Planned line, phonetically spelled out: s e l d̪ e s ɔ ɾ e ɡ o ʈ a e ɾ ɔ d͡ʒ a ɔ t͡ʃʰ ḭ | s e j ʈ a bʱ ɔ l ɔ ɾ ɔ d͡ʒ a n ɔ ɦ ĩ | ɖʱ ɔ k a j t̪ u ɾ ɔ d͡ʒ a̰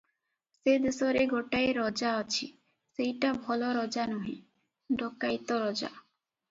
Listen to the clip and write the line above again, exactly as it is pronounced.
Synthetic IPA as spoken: s e d̪ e s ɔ ɾ e ɡ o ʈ a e ɾ ɔ d͡ʒ a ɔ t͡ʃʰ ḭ | s e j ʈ a bʱ ɔ l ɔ ɾ ɔ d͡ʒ a n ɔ ɦ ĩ | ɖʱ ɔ k a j t̪ ɔ ɾ ɔ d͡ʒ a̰